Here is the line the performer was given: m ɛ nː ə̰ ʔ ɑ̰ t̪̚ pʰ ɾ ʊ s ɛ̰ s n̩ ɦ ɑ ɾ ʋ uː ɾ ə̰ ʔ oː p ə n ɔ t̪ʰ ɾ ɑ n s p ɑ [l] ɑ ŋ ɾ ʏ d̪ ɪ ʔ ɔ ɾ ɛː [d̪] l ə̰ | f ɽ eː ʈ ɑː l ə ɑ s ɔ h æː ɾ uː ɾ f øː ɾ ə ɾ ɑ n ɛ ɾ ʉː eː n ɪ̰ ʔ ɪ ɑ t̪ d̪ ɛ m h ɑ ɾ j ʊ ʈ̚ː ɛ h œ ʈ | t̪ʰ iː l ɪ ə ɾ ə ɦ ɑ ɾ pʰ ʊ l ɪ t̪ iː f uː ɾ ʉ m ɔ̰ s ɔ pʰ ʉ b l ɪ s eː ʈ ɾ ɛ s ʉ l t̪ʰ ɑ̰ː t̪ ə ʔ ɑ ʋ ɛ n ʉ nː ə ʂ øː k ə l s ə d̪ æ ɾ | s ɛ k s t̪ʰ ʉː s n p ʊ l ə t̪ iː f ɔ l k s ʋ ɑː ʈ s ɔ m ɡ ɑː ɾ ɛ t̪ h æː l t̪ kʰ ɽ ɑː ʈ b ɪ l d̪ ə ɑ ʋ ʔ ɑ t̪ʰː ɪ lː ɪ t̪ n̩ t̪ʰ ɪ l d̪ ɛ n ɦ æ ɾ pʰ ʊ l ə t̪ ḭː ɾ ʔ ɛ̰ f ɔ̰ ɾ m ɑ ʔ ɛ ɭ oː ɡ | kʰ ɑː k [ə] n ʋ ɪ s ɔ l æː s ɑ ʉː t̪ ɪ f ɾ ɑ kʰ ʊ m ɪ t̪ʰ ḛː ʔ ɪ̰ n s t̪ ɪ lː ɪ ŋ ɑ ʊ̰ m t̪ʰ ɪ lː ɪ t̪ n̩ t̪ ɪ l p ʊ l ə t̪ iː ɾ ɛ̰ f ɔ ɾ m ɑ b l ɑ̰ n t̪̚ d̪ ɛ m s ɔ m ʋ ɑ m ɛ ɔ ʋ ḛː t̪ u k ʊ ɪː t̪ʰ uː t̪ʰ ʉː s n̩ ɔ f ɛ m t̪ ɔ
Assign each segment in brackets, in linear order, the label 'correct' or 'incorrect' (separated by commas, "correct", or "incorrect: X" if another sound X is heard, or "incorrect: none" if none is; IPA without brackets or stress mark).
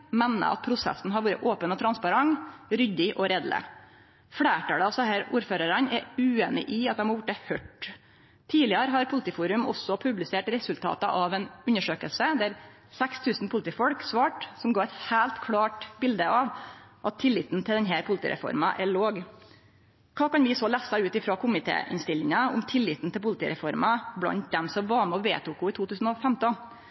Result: incorrect: ɾ, correct, incorrect: ɑ